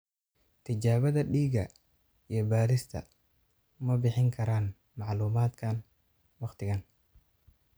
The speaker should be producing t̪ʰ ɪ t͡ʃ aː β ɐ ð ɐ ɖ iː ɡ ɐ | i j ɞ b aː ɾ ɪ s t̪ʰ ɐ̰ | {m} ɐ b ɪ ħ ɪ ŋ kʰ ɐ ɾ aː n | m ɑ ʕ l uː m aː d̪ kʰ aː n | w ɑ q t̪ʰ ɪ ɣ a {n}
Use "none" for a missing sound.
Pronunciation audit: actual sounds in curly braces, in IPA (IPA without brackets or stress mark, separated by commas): m, n